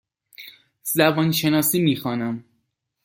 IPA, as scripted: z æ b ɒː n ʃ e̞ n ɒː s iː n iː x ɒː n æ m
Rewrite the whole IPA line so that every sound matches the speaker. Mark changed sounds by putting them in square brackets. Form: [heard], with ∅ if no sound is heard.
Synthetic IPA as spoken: z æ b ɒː n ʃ e̞ n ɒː s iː [m] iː x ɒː n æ m